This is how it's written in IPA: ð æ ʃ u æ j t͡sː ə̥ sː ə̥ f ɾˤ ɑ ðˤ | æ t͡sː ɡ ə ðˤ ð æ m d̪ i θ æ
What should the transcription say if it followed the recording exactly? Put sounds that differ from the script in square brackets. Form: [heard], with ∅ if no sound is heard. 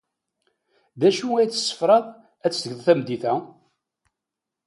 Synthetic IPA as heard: ð æ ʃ u æ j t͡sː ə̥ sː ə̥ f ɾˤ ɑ ðˤ | æ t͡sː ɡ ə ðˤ [θ] æ m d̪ i θ æ